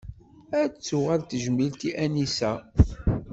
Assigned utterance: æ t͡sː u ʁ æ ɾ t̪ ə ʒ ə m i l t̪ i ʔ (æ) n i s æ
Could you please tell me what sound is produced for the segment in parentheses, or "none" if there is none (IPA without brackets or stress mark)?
æ